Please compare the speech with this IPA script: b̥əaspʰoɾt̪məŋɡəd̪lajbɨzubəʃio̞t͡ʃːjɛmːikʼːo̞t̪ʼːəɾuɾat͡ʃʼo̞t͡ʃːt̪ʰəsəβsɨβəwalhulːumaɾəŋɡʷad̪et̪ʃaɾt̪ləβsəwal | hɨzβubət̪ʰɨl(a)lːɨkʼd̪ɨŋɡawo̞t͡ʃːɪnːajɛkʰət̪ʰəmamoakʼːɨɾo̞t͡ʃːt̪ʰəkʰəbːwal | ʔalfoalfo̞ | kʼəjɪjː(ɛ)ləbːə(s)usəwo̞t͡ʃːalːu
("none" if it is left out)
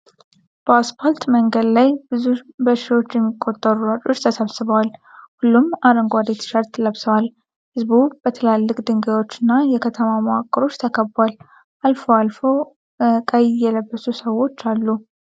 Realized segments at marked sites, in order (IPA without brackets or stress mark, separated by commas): a, ɛ, s